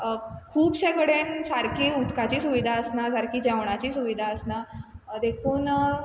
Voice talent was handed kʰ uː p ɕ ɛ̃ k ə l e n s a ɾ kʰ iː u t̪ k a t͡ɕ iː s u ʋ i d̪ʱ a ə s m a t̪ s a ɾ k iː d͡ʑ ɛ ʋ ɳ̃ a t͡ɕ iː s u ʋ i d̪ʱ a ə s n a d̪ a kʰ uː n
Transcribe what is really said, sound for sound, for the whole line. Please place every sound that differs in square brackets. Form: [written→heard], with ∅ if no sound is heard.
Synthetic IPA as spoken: kʰ uː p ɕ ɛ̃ k ə [l→ɽ] e n s a ɾ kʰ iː u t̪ k a t͡ɕ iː s u ʋ i d̪ʱ a ə s [m→n] a [t̪→∅] s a ɾ k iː d͡ʑ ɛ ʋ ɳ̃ a t͡ɕ iː s u ʋ i d̪ʱ a ə s n a d̪ [a→e] kʰ uː n